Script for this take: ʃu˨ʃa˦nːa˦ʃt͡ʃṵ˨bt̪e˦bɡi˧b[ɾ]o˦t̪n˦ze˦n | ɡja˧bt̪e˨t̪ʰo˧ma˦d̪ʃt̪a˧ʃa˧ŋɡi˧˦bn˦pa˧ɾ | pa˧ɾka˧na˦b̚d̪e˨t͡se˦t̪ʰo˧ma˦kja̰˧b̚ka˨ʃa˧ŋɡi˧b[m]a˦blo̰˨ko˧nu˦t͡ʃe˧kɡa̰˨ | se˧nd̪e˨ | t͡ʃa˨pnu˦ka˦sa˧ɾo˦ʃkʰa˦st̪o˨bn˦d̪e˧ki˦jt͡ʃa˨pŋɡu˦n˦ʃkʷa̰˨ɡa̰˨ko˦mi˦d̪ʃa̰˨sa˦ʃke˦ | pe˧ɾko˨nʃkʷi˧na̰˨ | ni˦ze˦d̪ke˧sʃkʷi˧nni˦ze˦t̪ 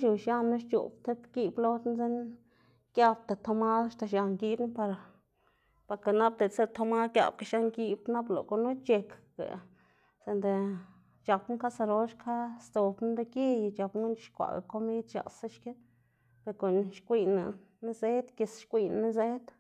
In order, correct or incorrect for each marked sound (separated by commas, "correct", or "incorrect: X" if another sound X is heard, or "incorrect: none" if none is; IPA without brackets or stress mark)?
incorrect: l, incorrect: n